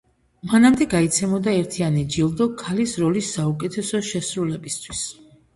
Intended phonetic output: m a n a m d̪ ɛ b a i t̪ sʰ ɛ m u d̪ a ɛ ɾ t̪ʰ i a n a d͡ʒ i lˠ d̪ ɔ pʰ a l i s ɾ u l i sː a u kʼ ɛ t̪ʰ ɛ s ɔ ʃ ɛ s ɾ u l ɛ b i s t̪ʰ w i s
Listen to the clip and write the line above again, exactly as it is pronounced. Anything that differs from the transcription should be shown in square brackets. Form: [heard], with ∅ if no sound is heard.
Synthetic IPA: m a n a m d̪ ɛ [ɡ] a i t̪ sʰ ɛ m [ɔ] d̪ a ɛ ɾ t̪ʰ i a n [i] d͡ʒ i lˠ d̪ ɔ [kʰ] a l i s ɾ [ɔ] l i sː a u kʼ ɛ t̪ʰ ɛ s ɔ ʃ ɛ s ɾ u l ɛ b i s t̪ʰ w i s